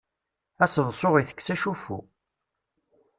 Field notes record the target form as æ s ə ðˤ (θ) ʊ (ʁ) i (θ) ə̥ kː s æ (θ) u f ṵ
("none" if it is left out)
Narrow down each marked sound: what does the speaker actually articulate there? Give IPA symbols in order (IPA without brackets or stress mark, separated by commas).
s, ʁ, θ, ʃ